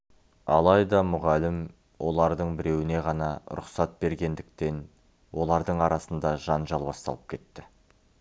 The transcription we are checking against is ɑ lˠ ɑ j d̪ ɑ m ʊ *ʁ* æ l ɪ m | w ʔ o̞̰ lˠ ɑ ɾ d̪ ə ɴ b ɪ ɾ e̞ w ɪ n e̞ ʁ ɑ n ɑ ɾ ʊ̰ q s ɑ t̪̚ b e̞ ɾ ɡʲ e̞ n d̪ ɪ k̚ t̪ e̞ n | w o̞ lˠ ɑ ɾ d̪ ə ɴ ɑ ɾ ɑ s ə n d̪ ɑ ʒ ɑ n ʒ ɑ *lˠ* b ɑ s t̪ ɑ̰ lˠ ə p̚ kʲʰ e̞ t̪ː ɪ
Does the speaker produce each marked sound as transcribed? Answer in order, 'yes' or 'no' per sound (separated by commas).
yes, yes